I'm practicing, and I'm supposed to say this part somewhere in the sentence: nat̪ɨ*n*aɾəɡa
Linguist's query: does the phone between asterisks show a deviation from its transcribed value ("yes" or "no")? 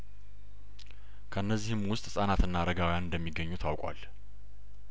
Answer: yes